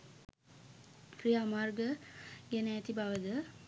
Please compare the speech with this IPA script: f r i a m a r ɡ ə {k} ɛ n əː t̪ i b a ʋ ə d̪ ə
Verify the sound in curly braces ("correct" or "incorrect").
incorrect